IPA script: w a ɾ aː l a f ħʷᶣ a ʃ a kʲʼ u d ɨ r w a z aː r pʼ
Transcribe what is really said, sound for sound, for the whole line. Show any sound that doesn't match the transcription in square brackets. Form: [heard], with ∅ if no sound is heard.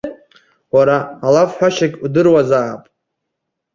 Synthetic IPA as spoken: w a ɾ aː l a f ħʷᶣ a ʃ a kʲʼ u d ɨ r w a z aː [∅] pʼ